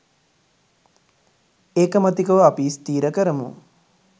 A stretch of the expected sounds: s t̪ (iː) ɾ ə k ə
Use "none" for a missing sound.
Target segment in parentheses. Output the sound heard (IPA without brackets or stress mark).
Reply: iː